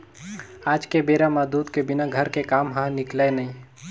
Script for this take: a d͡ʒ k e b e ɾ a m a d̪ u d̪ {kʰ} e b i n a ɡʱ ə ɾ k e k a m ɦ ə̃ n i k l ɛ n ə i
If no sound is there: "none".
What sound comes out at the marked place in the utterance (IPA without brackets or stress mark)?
k